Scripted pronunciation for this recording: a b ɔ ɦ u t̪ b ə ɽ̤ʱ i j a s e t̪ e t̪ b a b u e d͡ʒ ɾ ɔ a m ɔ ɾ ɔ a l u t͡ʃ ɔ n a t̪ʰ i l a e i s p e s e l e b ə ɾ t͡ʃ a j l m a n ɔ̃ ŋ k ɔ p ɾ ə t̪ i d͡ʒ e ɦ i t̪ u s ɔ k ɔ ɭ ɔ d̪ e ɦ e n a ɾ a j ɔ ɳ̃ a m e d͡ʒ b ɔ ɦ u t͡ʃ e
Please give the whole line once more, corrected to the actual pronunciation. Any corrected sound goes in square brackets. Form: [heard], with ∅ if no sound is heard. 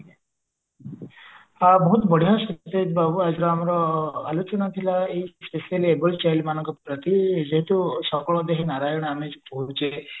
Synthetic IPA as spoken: a b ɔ ɦ u t̪ b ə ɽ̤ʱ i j a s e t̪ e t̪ b a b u [a] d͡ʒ ɾ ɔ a m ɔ ɾ ɔ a l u t͡ʃ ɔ n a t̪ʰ i l a e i s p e s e l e b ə [l] t͡ʃ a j l m a n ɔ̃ ŋ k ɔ p ɾ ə t̪ i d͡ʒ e ɦ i t̪ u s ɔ k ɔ ɭ ɔ d̪ e ɦ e n a ɾ a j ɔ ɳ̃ a m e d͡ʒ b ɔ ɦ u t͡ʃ e